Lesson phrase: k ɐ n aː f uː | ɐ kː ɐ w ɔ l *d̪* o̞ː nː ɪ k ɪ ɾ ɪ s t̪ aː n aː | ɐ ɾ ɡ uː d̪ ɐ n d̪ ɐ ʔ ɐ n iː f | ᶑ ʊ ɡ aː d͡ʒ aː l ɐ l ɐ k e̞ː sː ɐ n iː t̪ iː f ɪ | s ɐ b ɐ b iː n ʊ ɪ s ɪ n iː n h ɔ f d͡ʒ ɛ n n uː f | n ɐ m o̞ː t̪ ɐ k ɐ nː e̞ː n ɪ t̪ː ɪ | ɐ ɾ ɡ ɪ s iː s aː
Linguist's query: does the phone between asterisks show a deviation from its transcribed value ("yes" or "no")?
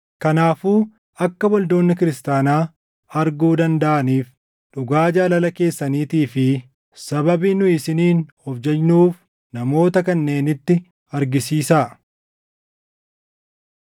no